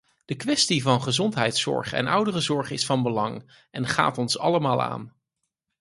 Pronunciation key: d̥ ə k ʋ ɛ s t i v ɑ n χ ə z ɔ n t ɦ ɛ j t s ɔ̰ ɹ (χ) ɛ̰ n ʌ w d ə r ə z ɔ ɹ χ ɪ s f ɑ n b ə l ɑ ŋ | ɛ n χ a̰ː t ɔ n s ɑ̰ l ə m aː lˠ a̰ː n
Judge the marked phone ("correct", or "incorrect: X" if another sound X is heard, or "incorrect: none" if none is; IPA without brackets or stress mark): correct